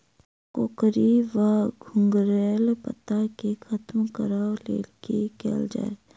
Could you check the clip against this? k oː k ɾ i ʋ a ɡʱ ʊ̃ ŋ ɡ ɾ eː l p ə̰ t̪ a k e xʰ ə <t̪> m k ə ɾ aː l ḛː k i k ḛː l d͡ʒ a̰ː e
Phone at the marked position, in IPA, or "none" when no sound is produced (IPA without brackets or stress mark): t̪